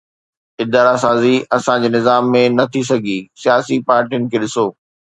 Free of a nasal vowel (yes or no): no